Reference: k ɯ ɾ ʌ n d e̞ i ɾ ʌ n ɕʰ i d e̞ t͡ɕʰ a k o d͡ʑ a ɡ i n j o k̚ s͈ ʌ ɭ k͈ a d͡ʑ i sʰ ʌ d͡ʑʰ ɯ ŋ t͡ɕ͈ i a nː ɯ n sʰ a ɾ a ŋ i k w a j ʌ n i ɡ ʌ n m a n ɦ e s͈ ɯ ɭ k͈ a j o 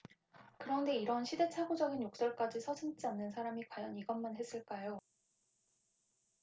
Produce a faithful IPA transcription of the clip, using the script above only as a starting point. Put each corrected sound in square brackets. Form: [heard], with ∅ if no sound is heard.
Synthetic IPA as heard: k ɯ ɾ ʌ n d e̞ i ɾ ʌ n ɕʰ i d e̞ t͡ɕʰ a [ɡ] o d͡ʑ [ʌ] ɡ i n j o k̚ s͈ ʌ ɭ k͈ a d͡ʑ i sʰ ʌ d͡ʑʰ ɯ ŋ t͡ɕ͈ i a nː ɯ n sʰ a ɾ a [m] i k w a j ʌ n i ɡ ʌ n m a n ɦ e s͈ ɯ ɭ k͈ a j o